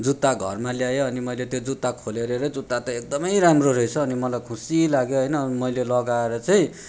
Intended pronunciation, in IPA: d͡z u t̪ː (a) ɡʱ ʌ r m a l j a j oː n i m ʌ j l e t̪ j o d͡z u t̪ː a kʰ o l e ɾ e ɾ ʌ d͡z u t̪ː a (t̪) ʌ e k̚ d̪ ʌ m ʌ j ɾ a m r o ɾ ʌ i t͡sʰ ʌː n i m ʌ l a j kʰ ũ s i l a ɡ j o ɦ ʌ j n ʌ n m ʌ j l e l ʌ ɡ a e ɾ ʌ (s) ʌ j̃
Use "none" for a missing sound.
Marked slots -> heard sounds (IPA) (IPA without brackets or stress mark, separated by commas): a, t̪, t͡s